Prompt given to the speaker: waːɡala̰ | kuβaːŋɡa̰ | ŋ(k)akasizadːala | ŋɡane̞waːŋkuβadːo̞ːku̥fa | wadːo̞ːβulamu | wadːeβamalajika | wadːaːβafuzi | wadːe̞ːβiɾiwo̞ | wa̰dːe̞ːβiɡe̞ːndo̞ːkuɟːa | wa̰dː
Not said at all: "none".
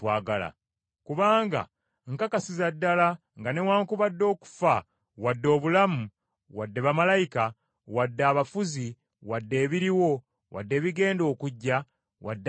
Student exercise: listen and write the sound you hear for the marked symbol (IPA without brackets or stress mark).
k